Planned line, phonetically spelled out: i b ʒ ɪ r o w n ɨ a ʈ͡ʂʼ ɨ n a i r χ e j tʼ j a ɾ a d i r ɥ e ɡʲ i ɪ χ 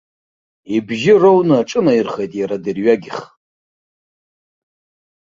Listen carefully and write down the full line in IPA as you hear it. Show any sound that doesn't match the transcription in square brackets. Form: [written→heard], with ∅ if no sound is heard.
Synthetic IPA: i b ʒ ɪ r o w n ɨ a ʈ͡ʂʼ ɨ n a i r χ e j tʼ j a ɾ a d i r ɥ [e→a] ɡʲ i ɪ χ